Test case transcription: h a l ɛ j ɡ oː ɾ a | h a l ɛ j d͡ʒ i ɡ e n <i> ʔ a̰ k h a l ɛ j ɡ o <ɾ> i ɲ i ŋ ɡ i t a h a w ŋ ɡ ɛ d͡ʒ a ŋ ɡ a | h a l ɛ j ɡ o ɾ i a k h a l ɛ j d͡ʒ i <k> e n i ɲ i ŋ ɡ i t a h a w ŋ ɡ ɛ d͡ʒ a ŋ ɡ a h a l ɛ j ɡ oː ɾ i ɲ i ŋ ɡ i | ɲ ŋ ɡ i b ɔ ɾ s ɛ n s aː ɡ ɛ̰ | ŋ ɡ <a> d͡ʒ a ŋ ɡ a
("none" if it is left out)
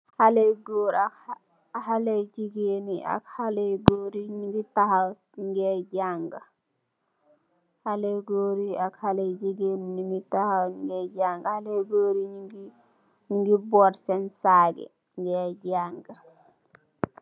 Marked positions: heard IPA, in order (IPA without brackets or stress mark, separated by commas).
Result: i, ɾ, ɡ, ɛ